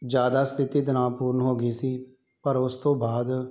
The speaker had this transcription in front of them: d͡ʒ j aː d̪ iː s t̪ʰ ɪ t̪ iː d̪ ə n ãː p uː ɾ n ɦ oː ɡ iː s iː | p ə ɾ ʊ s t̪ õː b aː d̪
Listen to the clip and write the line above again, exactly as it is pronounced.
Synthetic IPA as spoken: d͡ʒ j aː d̪ aː s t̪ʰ ɪ t̪ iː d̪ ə n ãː p uː ɾ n ɦ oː ɡ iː s iː | p ə ɾ ʊ s t̪ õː b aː d̪